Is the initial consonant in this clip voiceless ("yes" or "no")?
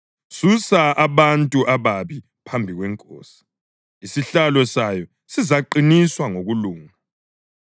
yes